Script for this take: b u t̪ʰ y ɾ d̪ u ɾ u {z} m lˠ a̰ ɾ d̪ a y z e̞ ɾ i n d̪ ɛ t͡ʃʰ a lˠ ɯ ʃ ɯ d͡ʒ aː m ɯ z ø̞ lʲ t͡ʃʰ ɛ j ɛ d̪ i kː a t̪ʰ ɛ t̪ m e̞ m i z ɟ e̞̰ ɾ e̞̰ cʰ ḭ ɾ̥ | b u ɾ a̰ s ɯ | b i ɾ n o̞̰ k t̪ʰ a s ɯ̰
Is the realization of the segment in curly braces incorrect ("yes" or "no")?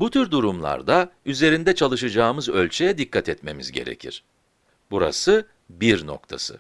yes